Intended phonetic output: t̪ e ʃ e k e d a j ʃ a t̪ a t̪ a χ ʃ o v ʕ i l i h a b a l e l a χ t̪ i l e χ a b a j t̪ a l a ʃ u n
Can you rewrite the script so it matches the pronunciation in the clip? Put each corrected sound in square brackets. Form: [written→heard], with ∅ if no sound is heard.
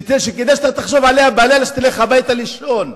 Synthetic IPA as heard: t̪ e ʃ e k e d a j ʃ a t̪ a t̪ a χ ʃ o v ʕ [i→a] l [i→e] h a b a l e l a [χ→ʃ] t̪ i l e χ a b a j t̪ a l [a→i] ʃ [u→o] n